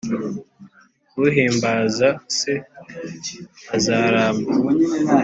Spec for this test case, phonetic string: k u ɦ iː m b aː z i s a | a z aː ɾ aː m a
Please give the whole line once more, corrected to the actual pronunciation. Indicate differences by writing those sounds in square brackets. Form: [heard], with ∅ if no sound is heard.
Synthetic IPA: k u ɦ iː m b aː z [a] s [e] | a z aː ɾ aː m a